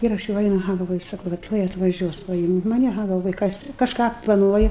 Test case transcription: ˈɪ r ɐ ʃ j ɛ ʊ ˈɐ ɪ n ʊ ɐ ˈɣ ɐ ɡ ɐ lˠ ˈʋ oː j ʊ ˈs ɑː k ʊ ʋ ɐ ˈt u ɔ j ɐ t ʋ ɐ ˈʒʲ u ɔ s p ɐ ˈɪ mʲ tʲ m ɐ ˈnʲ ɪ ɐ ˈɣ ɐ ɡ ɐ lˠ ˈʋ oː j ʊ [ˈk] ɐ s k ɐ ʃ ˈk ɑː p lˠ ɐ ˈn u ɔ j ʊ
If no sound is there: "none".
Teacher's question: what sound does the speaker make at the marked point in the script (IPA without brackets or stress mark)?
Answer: k